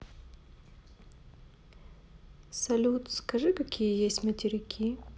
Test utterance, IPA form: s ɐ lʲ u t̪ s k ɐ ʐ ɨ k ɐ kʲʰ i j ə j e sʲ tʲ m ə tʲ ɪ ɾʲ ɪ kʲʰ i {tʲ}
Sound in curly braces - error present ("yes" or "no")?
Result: yes